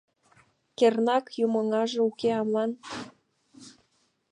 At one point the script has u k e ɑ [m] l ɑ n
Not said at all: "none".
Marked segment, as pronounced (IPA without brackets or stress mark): m